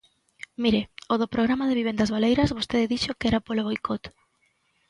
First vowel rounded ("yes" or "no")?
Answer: no